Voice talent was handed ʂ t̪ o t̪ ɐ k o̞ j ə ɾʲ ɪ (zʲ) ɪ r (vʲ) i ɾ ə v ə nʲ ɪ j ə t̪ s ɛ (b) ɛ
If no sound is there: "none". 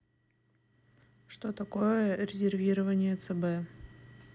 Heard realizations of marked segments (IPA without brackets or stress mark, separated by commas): zʲ, vʲ, b